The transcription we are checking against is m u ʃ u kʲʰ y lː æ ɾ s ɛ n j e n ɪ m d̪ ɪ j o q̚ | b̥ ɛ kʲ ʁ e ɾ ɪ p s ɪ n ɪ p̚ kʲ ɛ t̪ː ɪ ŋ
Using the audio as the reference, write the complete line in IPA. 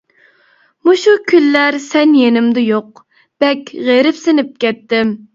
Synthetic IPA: m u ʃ u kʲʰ y lː æ ɾ s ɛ n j e n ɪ m d̪ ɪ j o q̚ | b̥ ɛ kʲ ʁ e ɾ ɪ p s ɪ n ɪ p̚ kʲ ɛ t̪ː ɪ m